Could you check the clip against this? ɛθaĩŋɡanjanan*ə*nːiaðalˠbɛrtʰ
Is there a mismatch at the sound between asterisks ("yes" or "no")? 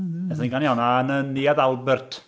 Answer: no